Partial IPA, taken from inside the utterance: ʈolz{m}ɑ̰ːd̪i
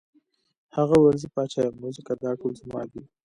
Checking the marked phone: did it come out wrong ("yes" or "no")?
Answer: no